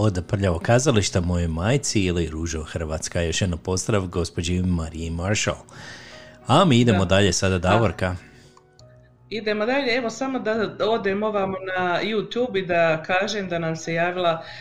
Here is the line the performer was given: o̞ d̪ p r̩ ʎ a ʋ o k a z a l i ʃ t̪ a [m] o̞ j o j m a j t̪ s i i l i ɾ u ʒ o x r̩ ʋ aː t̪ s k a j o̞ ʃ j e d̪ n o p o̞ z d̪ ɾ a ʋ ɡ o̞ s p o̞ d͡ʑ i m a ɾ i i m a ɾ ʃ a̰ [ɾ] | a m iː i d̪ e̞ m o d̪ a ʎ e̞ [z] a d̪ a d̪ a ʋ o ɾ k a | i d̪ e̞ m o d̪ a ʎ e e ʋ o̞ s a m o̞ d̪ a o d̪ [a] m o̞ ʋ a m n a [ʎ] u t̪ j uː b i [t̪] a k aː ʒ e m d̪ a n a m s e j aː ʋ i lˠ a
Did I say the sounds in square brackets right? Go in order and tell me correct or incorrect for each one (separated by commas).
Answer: correct, incorrect, incorrect, incorrect, incorrect, incorrect